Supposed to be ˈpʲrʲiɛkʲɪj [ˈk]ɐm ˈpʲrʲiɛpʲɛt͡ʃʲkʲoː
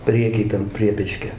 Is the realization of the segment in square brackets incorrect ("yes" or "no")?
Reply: yes